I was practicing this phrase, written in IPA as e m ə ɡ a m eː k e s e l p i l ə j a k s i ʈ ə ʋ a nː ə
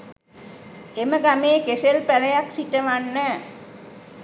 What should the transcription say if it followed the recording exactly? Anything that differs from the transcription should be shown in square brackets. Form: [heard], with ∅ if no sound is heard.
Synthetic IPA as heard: e m ə ɡ a m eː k e s e l p [æ] l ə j a k s i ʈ ə ʋ a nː ə